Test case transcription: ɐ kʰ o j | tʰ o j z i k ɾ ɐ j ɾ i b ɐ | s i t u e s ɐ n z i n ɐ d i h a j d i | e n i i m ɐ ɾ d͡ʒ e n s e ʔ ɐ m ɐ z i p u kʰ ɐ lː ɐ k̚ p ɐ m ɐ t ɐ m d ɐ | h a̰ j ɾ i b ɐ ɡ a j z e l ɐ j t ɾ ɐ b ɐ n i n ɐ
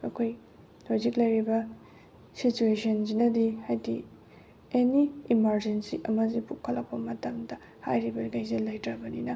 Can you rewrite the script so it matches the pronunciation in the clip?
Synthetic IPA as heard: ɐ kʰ o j | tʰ o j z i k l ɐ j ɾ i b ɐ | s i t u e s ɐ n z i n ɐ d i h a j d i | e n i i m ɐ ɾ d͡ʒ e n s i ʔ ɐ m ɐ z i p u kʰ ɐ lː ɐ k̚ p ɐ m ɐ t ɐ m d ɐ | h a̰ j ɾ i b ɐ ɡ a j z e l ɐ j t ɾ ɐ b ɐ n i n ɐ